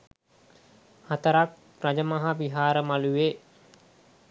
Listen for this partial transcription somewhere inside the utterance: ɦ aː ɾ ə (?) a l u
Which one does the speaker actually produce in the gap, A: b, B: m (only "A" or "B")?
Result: B